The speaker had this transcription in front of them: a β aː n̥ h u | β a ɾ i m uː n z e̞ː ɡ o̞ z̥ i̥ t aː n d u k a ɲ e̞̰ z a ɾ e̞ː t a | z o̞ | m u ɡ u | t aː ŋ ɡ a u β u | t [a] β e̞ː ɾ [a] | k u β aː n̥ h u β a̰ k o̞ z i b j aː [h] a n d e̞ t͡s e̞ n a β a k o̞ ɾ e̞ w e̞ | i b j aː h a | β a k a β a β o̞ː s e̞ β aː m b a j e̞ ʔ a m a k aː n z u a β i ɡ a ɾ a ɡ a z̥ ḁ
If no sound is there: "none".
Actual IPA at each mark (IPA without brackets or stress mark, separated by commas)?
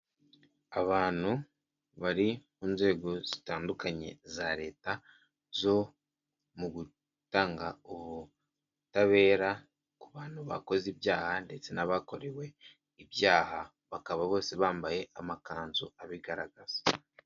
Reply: a, a, h